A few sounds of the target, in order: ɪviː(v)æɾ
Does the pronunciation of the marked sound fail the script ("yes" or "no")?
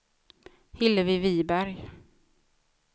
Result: yes